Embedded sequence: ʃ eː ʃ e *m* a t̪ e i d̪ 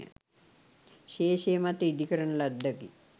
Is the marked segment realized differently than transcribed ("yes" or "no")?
no